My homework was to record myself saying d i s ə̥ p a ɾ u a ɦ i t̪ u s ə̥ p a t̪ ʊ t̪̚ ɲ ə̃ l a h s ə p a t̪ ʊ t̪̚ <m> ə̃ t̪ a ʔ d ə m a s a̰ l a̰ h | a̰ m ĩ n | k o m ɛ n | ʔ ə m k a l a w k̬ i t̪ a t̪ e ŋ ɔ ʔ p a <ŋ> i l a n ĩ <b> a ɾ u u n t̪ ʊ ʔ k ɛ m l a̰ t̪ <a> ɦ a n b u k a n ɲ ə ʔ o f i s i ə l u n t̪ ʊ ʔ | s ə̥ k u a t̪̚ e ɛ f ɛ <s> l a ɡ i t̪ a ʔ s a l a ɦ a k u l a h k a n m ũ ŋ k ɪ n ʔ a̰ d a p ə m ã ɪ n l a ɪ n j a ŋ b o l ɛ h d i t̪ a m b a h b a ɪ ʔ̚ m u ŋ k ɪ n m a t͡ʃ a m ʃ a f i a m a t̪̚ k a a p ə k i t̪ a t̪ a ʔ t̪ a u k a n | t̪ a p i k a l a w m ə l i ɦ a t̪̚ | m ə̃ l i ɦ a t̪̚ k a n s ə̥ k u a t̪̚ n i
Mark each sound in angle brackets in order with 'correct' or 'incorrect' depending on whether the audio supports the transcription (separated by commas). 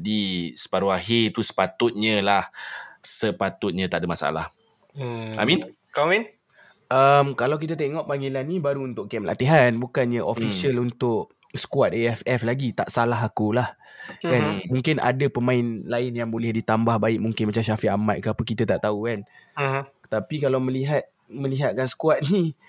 incorrect, correct, correct, incorrect, incorrect